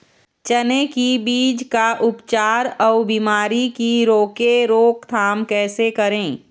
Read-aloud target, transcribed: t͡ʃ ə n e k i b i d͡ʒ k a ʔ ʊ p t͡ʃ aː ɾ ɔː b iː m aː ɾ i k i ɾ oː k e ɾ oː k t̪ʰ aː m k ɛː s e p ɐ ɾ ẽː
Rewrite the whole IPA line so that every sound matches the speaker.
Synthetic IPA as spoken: t͡ʃ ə n e k i b iː d͡ʒ k a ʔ ʊ p t͡ʃ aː ɾ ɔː b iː m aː ɾ i k i ɾ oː k e ɾ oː k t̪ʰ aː m k ɛː s e k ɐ ɾ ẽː